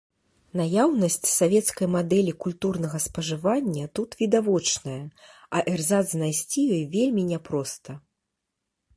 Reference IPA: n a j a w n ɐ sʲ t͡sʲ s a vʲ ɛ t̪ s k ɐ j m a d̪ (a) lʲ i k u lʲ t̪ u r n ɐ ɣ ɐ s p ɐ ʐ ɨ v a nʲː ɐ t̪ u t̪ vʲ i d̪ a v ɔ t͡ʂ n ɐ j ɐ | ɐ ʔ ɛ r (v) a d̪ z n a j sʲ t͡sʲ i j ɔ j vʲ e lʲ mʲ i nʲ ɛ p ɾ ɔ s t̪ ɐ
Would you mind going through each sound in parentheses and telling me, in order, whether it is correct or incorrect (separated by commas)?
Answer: incorrect, incorrect